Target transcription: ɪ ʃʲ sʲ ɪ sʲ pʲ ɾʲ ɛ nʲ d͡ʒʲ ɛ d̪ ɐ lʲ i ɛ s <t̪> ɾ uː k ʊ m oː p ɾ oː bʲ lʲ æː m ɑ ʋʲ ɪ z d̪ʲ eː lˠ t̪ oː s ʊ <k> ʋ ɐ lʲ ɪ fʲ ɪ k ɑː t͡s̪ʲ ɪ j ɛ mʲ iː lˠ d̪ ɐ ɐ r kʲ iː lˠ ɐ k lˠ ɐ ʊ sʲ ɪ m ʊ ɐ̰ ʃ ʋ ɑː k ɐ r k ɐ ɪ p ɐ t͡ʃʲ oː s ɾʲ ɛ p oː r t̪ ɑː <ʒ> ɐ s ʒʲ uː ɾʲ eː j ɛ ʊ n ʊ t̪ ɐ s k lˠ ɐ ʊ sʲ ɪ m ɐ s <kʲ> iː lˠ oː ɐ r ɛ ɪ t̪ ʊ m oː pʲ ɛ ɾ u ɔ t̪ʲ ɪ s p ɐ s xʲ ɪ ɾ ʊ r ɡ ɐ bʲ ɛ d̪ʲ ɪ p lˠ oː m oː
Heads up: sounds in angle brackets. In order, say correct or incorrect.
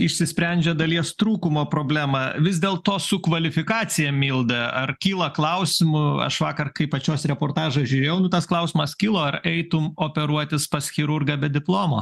correct, correct, correct, correct

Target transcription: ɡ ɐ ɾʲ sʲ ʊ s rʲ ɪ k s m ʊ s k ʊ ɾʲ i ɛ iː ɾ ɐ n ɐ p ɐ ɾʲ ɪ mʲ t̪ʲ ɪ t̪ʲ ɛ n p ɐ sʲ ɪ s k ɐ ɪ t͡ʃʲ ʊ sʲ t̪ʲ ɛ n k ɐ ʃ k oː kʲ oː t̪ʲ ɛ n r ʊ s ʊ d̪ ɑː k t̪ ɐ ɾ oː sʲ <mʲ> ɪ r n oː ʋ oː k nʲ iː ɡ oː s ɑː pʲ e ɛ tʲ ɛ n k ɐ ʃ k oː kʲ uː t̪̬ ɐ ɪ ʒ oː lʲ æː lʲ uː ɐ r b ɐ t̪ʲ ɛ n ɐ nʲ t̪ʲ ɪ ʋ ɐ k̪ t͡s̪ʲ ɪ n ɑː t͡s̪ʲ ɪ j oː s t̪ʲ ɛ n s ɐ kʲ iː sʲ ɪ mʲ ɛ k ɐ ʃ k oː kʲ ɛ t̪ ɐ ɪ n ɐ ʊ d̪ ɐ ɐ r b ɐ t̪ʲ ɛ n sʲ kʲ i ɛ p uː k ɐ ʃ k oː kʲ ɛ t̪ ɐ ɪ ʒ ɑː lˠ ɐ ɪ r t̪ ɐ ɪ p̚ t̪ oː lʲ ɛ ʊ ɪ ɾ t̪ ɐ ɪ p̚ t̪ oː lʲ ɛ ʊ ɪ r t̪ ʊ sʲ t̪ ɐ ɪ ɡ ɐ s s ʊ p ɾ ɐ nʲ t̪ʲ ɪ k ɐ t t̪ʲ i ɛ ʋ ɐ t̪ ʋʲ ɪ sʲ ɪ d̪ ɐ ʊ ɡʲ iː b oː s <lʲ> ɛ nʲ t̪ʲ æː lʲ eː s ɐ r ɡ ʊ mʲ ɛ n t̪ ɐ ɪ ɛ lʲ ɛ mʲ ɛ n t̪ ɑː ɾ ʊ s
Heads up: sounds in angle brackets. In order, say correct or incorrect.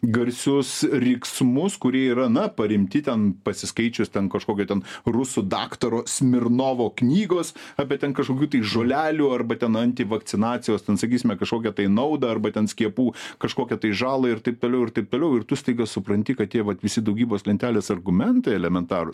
correct, correct

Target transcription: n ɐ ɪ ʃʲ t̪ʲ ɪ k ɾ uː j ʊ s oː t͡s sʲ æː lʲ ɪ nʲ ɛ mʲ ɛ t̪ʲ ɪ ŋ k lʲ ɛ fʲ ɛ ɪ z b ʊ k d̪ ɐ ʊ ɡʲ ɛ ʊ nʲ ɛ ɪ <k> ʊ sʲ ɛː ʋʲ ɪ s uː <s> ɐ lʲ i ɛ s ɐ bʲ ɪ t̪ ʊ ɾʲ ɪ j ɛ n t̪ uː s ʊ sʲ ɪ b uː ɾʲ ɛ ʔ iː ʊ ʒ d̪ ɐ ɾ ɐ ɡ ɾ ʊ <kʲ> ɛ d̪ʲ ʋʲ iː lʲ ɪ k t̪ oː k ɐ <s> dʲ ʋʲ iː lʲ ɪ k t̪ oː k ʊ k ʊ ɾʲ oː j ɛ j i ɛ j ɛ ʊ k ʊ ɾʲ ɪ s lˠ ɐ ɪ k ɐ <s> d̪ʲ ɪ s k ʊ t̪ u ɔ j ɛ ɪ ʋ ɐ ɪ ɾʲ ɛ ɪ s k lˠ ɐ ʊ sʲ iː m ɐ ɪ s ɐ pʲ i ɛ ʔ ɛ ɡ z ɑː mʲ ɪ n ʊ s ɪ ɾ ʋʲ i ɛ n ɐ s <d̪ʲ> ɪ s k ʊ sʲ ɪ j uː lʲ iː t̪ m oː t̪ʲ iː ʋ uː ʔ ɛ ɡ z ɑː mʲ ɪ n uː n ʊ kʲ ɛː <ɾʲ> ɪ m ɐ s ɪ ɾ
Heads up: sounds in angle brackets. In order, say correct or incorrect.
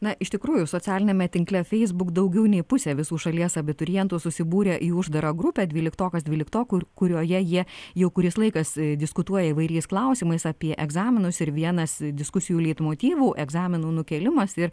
incorrect: p, incorrect: ʃ, incorrect: pʲ, correct, correct, correct, incorrect: lʲ

